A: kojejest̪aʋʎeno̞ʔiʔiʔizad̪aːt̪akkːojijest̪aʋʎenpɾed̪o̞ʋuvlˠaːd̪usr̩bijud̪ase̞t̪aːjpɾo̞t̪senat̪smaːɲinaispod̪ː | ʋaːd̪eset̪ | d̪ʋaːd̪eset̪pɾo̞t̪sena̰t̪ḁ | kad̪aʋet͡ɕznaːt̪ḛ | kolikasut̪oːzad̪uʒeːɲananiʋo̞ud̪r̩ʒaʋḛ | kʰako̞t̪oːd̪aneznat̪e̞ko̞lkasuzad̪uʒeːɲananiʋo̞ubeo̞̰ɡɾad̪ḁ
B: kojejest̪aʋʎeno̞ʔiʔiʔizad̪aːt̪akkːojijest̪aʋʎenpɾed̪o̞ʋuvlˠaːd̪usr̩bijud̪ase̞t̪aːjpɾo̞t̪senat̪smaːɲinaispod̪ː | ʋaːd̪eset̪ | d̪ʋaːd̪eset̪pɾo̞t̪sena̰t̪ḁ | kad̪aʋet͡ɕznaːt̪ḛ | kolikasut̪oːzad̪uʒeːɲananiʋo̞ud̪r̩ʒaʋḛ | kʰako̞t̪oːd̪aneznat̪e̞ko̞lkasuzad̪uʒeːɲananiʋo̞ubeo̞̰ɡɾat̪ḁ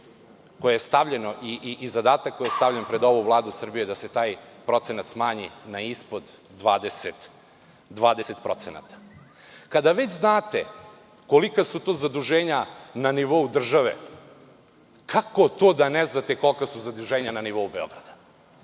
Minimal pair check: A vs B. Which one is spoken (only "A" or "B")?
A